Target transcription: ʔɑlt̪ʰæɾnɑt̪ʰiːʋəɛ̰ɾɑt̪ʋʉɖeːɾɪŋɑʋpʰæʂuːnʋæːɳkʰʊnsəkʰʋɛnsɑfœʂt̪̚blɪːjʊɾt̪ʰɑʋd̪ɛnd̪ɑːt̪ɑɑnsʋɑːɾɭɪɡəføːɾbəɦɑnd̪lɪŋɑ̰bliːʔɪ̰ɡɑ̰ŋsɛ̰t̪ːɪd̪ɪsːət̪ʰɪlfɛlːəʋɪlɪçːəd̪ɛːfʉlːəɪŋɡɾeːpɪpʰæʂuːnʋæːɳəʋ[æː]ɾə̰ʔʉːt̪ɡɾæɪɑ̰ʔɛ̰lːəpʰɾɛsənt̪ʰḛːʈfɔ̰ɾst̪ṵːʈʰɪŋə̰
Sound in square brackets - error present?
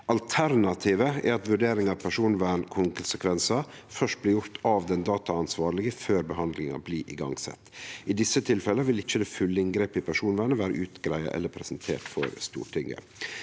no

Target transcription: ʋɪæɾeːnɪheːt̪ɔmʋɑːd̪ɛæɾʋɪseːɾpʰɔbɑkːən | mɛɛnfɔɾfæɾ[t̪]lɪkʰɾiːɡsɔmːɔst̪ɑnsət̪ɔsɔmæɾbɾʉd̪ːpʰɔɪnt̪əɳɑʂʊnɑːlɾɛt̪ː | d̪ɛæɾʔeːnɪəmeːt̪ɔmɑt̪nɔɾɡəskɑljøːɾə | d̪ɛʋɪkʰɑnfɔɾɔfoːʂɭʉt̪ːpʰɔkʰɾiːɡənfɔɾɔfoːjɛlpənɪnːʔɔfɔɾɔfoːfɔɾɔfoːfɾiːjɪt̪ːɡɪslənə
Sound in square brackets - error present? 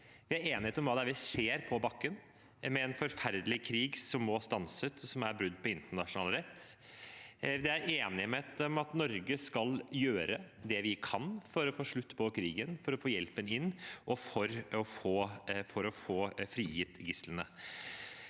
yes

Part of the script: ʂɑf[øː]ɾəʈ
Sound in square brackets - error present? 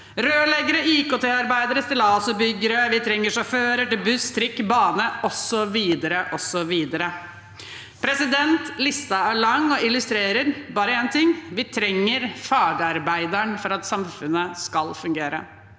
no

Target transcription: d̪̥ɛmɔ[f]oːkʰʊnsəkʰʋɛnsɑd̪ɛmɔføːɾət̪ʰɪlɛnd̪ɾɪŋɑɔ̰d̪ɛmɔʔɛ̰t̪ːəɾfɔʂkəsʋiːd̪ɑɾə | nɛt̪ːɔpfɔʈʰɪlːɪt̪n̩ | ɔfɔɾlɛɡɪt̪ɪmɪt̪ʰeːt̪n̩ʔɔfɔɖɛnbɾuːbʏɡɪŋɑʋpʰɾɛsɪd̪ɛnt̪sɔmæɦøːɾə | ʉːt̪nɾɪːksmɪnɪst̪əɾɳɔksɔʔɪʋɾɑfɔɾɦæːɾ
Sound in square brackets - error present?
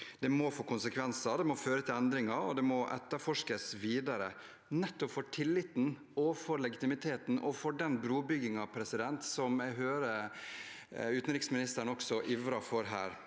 no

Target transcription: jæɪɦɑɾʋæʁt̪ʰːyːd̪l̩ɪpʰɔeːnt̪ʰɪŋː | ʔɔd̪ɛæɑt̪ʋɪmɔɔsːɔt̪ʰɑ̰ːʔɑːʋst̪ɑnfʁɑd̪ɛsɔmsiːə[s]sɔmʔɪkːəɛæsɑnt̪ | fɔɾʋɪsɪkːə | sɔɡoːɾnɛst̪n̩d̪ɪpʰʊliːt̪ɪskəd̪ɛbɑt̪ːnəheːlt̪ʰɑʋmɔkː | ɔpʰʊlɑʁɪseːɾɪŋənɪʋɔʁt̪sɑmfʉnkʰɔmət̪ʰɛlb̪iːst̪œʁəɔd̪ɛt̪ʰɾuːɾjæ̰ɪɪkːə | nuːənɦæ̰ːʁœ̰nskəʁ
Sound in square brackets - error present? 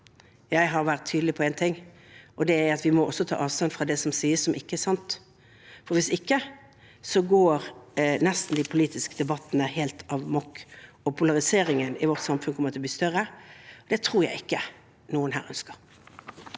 no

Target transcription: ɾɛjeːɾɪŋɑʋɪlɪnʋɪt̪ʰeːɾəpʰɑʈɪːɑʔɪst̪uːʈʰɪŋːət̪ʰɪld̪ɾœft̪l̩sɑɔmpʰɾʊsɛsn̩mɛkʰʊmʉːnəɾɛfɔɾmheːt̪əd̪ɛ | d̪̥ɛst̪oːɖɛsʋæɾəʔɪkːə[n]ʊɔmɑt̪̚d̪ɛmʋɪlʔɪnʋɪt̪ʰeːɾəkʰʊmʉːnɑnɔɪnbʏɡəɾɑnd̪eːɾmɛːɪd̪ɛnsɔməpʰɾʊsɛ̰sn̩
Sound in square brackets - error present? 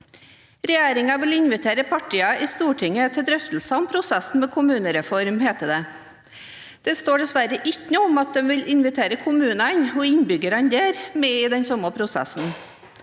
no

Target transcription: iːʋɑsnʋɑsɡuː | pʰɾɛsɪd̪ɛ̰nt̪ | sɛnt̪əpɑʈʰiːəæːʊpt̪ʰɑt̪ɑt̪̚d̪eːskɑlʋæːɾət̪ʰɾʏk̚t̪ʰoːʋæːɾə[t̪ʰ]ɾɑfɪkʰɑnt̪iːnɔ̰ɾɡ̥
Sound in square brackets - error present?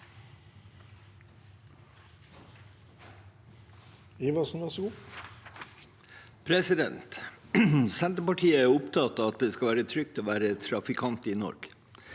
no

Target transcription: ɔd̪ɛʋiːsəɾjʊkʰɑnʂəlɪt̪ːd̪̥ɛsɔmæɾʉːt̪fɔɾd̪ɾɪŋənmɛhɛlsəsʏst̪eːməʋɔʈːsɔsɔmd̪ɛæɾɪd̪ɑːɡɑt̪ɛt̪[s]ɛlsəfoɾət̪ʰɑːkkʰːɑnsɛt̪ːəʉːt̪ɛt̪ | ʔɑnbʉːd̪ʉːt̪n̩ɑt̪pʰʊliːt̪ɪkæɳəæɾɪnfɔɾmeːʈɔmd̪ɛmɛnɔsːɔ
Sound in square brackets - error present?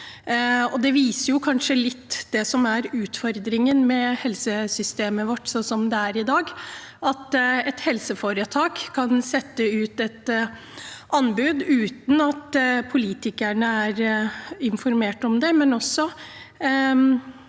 yes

